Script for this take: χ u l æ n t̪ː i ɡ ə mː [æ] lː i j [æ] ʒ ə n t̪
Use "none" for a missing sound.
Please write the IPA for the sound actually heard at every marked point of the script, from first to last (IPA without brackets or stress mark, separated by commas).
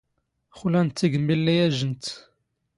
i, æ